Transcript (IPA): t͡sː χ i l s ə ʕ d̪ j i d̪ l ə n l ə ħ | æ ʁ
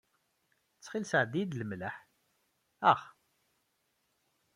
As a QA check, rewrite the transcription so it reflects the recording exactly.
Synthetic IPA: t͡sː χ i l s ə ʕ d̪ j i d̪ l ə m l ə ħ | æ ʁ